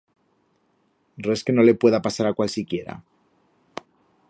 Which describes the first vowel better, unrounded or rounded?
unrounded